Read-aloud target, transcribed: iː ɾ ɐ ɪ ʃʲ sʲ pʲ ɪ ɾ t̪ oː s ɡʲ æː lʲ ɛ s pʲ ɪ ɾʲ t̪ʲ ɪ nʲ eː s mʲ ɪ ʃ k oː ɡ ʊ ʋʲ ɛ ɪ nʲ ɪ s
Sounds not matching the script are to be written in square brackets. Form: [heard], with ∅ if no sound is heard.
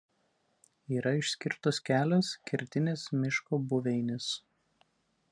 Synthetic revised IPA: iː ɾ ɐ ɪ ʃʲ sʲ [kʲ] ɪ ɾ t̪ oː s [kʲ] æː lʲ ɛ s [kʲ] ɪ ɾʲ t̪ʲ ɪ nʲ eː s mʲ ɪ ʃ k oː [b] ʊ ʋʲ ɛ ɪ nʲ ɪ s

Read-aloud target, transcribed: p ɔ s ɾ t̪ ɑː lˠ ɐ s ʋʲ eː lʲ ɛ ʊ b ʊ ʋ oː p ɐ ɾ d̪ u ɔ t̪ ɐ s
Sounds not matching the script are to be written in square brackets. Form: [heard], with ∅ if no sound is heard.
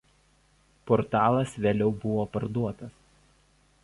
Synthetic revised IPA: p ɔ [∅] ɾ t̪ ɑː lˠ ɐ s ʋʲ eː lʲ ɛ ʊ b ʊ ʋ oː p ɐ ɾ d̪ u ɔ t̪ ɐ s

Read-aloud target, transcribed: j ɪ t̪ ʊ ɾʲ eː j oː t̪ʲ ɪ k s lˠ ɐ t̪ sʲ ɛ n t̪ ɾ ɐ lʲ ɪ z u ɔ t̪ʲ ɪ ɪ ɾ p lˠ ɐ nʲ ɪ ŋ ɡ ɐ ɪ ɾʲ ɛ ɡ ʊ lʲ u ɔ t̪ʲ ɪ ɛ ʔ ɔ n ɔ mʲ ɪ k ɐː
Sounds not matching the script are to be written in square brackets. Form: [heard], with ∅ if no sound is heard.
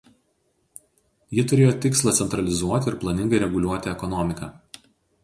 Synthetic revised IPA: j ɪ t̪ ʊ ɾʲ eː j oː t̪ʲ ɪ k s lˠ ɐ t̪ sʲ ɛ n t̪ ɾ ɐ lʲ ɪ z u ɔ t̪ʲ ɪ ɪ ɾ p lˠ ɐ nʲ ɪ ŋ ɡ ɐ ɪ ɾʲ ɛ ɡ ʊ lʲ u ɔ t̪ʲ ɪ ɛ [k] ɔ n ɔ mʲ ɪ k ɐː

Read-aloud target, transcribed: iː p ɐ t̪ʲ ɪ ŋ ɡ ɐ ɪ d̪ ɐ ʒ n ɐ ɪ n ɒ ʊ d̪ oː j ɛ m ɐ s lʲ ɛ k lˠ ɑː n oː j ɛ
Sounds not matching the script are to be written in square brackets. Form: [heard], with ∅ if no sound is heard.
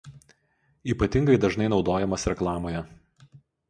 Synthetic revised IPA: iː p ɐ t̪ʲ ɪ ŋ ɡ ɐ ɪ d̪ ɐ ʒ n ɐ ɪ n ɒ ʊ d̪ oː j ɛ m ɐ s [ɾʲ] ɛ k lˠ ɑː [m] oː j ɛ

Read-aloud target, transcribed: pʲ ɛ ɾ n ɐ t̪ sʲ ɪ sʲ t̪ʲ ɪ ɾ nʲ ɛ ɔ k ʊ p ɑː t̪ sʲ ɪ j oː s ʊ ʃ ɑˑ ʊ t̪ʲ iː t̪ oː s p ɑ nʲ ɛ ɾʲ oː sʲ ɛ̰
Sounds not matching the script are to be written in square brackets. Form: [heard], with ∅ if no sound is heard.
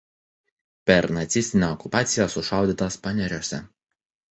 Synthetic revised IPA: pʲ ɛ ɾ n ɐ t̪ sʲ ɪ sʲ t̪ʲ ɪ [∅] nʲ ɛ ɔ k ʊ p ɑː t̪ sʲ ɪ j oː s ʊ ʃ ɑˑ ʊ [d̪ʲ] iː t̪ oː s p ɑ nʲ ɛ ɾʲ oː sʲ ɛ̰

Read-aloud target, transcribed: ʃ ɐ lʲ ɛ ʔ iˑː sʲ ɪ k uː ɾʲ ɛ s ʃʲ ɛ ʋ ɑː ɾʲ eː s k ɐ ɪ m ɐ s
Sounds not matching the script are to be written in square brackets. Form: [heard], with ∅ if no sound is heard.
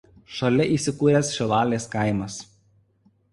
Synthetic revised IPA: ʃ ɐ lʲ ɛ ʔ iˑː sʲ ɪ k uː ɾʲ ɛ s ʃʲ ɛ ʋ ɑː [lʲ] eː s k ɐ ɪ m ɐ s

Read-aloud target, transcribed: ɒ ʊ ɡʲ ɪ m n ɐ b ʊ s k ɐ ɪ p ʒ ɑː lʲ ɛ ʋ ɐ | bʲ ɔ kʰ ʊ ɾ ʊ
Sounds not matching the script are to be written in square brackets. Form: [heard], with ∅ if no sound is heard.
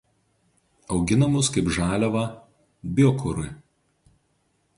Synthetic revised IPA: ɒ ʊ ɡʲ ɪ [∅] n ɐ [m] ʊ s k ɐ ɪ p ʒ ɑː lʲ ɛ ʋ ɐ | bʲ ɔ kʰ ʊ ɾ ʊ

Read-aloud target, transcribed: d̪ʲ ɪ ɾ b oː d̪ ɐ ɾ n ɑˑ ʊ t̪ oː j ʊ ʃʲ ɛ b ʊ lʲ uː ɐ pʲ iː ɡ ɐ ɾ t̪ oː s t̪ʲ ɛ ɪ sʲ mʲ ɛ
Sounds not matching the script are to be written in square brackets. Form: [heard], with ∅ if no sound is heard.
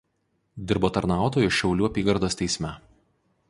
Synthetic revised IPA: d̪ʲ ɪ ɾ b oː [t̪] ɐ ɾ n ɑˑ ʊ t̪ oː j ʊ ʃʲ ɛ [∅] ʊ lʲ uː ɐ pʲ iː ɡ ɐ ɾ [d̪] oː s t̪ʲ ɛ ɪ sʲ mʲ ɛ

